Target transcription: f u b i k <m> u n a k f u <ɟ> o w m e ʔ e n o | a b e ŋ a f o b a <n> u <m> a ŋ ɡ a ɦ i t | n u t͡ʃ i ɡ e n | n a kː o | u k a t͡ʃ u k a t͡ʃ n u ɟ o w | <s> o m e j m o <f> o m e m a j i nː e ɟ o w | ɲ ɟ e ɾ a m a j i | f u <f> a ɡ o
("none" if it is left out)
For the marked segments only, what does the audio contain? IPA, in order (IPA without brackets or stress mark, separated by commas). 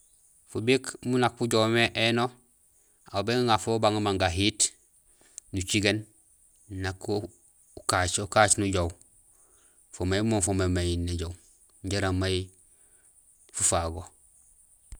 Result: m, ɟ, ŋ, m, f, f, f